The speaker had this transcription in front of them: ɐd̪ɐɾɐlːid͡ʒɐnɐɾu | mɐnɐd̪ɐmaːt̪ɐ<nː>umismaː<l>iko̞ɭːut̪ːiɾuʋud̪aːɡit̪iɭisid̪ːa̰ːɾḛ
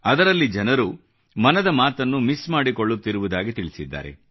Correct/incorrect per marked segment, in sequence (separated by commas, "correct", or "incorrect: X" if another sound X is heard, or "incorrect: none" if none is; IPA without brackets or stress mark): correct, incorrect: ɽ